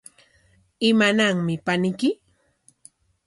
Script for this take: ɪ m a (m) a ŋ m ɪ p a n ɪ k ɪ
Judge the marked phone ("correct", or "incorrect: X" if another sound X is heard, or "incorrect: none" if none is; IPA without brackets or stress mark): incorrect: n